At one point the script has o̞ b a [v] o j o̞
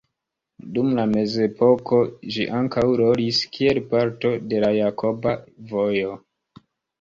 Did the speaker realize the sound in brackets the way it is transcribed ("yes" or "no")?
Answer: yes